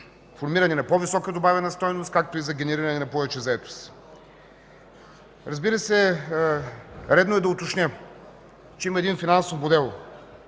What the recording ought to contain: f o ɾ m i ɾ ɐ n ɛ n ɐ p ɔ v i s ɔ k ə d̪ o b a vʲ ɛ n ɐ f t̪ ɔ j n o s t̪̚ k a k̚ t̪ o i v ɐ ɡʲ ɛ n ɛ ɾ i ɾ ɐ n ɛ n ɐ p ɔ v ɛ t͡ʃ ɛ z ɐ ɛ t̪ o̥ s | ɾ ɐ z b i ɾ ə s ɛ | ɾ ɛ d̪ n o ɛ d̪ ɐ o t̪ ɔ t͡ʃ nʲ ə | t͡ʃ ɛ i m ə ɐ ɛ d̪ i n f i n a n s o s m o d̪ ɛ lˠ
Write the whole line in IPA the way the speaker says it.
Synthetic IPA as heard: f o ɾ m i ɾ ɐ n ɛ n ɐ p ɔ v i s ɔ k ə d̪ o b a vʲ ɛ n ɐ s t̪ ɔ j n o s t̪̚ k a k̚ t̪ o i z ɐ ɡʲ ɛ n ɛ ɾ i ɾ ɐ n ɛ n ɐ p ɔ v ɛ t͡ʃ ɛ z ɐ ɛ t̪ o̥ s | ɾ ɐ z b i ɾ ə s ɛ | ɾ ɛ d̪ n o ɛ d̪ ɐ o t̪ o t͡ʃ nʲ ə | t͡ʃ ɛ i m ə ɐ ɛ d̪ i n f i n a n s o f m o d̪ ɛ lˠ